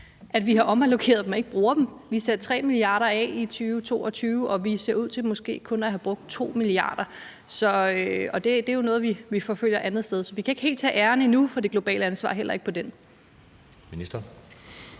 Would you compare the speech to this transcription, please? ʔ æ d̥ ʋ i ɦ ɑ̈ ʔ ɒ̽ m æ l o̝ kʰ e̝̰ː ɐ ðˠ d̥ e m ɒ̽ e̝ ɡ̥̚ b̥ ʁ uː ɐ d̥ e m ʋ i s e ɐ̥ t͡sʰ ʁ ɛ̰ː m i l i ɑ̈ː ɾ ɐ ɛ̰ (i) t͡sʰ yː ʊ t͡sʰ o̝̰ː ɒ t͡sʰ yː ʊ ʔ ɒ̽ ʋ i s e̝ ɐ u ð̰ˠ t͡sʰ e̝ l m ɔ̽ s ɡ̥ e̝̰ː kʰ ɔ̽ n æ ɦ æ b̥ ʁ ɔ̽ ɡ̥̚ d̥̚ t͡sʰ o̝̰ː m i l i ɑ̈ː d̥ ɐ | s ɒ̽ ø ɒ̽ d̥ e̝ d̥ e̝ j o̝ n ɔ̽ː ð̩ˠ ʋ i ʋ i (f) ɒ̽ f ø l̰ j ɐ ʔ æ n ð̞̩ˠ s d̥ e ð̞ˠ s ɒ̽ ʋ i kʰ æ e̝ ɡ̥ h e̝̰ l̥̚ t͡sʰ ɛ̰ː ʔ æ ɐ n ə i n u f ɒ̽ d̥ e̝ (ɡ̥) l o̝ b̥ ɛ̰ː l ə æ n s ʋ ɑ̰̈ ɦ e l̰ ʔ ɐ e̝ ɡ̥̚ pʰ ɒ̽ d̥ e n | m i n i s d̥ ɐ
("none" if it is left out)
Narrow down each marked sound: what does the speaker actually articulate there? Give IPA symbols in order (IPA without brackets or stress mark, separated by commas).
i, f, ɡ̥